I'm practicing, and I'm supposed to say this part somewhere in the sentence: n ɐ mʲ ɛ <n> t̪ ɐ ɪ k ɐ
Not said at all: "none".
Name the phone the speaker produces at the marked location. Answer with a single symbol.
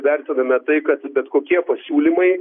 none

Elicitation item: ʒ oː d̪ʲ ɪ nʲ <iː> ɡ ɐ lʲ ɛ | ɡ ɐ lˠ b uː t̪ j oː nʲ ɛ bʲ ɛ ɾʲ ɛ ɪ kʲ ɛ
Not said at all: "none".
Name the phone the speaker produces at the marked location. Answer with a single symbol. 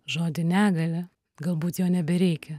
æː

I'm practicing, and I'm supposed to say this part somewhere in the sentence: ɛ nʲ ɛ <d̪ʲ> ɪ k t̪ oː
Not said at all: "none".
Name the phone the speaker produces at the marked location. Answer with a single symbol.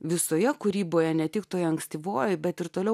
t̪ʲ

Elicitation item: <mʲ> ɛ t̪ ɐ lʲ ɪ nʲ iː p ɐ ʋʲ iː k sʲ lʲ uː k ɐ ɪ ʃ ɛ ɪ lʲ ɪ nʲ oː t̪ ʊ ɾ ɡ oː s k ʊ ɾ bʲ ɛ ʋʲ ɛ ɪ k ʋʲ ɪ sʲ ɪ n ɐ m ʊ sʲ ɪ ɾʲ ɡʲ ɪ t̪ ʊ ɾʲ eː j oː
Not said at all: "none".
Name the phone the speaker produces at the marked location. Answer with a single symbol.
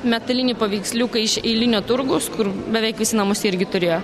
mʲ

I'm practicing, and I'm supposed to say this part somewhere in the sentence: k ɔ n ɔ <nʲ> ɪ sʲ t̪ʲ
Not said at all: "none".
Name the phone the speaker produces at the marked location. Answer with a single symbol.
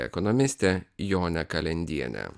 mʲ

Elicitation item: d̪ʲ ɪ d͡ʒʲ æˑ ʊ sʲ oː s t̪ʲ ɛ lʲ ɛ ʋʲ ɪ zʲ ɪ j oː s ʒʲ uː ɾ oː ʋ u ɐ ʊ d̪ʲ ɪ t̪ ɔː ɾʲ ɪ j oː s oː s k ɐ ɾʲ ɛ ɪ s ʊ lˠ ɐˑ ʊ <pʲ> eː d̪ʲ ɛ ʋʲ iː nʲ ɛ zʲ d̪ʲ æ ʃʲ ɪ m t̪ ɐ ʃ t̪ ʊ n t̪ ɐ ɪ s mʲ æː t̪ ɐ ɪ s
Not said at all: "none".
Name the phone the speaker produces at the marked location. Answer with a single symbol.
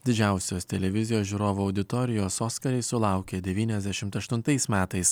kʲ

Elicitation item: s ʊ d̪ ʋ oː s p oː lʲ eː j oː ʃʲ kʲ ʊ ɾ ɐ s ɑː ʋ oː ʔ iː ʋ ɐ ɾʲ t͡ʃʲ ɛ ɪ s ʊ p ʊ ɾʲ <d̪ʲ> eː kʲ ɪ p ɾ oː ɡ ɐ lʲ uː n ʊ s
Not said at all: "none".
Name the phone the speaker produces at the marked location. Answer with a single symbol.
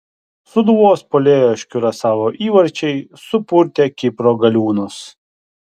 t̪ʲ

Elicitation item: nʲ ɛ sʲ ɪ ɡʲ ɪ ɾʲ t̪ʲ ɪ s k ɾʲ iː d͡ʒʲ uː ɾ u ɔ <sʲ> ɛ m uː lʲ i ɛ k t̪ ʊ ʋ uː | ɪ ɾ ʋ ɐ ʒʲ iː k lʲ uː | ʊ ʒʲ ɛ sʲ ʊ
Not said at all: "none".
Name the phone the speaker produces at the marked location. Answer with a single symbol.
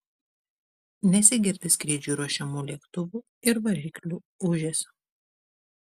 ʃʲ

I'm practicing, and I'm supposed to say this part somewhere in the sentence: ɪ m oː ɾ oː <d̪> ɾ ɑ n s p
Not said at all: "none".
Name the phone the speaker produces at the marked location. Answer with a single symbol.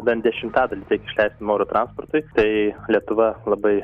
t̪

